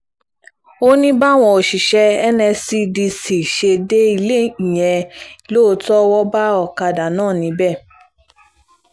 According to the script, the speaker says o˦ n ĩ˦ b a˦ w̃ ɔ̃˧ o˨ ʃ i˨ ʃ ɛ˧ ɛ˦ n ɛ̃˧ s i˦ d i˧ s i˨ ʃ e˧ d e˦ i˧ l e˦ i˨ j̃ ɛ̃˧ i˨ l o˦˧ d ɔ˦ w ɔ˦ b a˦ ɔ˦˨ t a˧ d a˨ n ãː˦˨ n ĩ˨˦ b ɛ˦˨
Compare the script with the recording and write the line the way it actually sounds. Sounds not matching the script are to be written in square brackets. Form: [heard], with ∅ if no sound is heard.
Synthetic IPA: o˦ n ĩ˦ b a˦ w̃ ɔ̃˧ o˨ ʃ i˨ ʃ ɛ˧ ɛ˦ n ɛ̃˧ s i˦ d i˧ s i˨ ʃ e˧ d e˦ i˧ l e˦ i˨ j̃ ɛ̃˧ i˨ l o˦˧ [t] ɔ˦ w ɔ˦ b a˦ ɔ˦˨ [k] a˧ d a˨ n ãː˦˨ n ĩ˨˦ b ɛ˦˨

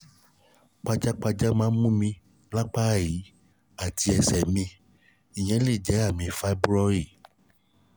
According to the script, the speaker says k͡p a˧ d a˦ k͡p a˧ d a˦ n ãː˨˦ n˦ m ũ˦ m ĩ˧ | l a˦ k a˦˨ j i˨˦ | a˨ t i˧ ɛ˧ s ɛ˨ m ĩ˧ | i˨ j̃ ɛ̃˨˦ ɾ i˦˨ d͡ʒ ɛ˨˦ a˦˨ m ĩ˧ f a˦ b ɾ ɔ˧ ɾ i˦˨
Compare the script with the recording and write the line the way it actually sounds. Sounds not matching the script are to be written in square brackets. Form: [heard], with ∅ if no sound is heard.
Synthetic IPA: k͡p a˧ [d͡ʒ] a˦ k͡p a˧ [d͡ʒ] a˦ [m] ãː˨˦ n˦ m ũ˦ m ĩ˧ | l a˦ [k͡p] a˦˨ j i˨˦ | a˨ t i˧ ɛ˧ s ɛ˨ m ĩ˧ | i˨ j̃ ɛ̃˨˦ [l] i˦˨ d͡ʒ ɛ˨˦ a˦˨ m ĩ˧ f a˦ b ɾ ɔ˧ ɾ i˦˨

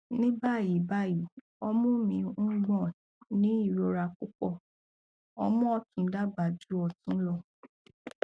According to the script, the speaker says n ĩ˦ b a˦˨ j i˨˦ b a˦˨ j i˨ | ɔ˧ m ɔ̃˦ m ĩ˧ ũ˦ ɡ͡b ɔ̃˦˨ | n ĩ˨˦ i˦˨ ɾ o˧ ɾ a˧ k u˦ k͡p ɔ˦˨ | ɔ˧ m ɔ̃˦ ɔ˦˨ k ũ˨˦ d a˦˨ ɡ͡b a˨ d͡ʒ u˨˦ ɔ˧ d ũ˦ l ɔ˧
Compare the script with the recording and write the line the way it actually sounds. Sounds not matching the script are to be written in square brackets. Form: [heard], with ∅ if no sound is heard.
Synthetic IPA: n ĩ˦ b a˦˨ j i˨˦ b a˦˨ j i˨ | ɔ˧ m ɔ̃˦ m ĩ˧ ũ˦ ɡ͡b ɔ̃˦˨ | n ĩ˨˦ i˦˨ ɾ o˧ ɾ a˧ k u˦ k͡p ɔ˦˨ | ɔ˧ m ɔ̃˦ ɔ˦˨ [t] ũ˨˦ d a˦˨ ɡ͡b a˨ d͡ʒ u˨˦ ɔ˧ [t] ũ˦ l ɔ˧

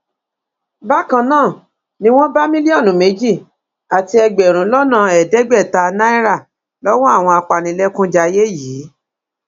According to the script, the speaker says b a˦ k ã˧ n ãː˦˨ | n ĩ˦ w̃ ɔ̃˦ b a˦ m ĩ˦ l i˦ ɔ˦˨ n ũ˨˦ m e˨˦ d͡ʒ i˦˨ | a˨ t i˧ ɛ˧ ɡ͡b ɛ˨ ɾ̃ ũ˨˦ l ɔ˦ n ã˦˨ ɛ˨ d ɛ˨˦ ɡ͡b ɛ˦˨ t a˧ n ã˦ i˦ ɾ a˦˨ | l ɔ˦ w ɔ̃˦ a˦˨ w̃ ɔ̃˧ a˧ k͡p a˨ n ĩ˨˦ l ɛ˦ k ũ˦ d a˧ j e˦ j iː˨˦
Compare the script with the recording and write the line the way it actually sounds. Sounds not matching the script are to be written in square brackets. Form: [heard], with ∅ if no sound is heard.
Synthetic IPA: b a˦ k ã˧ n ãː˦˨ | n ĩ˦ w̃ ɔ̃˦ b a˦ m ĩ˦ l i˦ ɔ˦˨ n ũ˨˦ m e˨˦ d͡ʒ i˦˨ | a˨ t i˧ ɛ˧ ɡ͡b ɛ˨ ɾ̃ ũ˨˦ l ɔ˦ n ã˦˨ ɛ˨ d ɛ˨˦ ɡ͡b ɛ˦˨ t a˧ n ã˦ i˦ ɾ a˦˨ | l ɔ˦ w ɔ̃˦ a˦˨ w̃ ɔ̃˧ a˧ k͡p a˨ n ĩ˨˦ l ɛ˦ k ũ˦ [d͡ʒ] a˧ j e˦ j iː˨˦

